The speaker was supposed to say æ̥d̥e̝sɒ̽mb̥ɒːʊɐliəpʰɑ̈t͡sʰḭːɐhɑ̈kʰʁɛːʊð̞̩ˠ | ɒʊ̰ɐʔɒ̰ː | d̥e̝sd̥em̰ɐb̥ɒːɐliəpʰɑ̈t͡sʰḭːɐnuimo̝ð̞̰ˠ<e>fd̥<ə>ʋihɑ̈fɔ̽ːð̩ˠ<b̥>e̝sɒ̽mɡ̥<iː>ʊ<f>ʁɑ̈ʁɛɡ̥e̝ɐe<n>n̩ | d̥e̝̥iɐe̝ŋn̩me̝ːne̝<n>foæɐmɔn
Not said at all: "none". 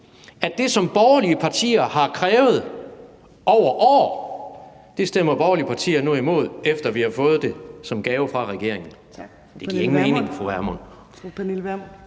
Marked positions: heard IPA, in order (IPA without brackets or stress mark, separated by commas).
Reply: e, ɐ, d̥, ɛː, f, ŋ, ŋ